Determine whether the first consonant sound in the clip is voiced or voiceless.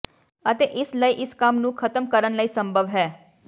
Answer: voiceless